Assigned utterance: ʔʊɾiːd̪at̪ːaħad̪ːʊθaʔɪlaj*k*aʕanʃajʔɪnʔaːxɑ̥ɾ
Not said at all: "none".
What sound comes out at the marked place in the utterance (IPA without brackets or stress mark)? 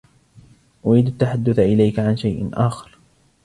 k